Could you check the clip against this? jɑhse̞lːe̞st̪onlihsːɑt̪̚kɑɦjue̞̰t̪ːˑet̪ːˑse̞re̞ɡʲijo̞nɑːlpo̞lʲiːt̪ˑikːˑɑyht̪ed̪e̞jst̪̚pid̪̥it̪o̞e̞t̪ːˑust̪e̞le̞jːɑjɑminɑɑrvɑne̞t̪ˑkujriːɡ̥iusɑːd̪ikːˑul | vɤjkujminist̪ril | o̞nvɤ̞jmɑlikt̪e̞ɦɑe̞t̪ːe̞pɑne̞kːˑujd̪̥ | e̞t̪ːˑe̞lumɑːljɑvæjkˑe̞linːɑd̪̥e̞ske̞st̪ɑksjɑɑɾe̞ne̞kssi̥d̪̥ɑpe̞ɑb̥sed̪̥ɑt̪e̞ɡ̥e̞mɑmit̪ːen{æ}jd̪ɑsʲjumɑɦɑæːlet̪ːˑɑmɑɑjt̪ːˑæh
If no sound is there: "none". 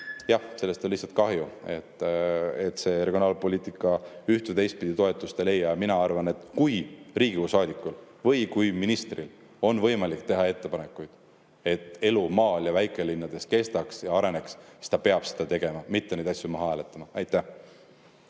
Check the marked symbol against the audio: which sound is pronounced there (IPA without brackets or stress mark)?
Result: e